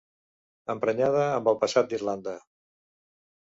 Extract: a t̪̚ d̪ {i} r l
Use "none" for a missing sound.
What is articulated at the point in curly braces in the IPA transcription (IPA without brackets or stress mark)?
i